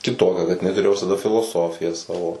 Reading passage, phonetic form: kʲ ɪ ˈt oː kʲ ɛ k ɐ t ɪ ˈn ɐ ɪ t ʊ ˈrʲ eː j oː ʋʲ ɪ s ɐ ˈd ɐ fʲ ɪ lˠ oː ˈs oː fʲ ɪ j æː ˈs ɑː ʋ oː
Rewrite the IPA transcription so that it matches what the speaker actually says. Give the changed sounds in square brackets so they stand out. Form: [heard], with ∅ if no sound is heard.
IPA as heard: kʲ ɪ ˈt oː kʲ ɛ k ɐ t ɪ ˈn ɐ ɪ t ʊ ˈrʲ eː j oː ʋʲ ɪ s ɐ ˈd ɐ fʲ ɪ lˠ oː ˈs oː fʲ ɪ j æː ˈs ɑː ʋ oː